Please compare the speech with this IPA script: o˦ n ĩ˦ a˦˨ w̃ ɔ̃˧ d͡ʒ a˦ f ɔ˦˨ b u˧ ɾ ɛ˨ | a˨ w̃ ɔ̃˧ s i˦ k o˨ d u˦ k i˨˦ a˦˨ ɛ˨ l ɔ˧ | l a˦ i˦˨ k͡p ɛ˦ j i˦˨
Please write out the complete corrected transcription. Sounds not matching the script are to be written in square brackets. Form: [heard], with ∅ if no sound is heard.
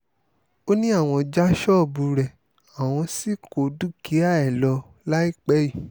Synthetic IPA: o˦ n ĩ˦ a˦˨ w̃ ɔ̃˧ d͡ʒ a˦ [ʃ] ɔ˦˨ b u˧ ɾ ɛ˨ | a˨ w̃ ɔ̃˧ s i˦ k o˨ d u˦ k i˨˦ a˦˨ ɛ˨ l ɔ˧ | l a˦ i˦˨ k͡p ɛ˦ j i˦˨